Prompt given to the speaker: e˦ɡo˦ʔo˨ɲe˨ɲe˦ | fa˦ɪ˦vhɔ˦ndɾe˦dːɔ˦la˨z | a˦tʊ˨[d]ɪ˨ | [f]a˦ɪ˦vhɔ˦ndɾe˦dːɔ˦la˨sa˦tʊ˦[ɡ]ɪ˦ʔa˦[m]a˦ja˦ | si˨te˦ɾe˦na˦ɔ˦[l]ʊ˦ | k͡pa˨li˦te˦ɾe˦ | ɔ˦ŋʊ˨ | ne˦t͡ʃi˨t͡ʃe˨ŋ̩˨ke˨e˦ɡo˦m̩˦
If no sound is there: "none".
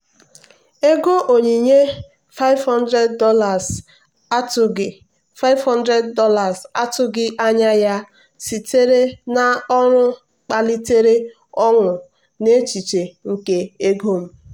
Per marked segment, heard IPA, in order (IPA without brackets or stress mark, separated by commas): ɡ, f, ɡ, ɲ, ɾ